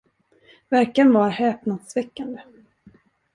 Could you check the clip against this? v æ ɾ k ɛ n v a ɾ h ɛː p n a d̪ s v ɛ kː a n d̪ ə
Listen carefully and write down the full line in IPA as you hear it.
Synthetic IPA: v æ ɾ k a n v a ɾ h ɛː p n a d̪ s v ɛ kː a n d̪ ə